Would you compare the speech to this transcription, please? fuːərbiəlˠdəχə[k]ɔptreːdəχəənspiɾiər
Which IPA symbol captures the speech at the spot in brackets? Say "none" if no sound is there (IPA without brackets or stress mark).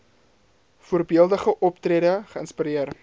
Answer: ʔ